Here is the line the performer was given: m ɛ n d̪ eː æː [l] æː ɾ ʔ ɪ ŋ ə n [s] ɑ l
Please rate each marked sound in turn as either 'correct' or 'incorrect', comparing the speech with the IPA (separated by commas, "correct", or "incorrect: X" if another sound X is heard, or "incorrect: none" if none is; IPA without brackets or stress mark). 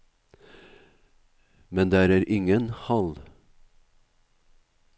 incorrect: ɾ, incorrect: h